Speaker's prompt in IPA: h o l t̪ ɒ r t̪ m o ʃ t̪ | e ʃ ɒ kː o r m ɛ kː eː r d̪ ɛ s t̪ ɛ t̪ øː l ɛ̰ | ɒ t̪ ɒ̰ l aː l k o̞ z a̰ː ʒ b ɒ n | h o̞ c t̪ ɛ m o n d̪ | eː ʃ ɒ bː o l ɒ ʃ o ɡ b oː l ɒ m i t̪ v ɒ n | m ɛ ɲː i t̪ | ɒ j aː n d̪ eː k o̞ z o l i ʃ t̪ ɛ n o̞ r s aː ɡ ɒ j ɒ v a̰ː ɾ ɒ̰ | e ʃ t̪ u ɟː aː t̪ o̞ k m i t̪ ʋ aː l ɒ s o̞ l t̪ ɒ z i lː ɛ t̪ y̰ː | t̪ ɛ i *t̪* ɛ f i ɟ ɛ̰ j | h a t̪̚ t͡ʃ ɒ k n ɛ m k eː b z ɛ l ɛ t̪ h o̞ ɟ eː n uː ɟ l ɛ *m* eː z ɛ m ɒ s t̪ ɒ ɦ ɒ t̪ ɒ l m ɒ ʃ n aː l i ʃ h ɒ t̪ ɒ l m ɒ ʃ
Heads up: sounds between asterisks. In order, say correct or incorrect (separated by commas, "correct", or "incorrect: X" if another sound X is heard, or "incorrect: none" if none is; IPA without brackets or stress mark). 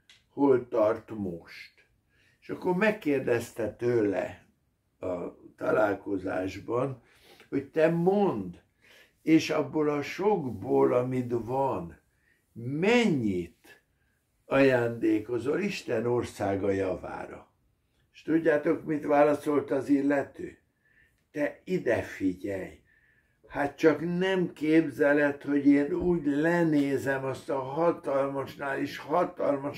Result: incorrect: d̪, incorrect: n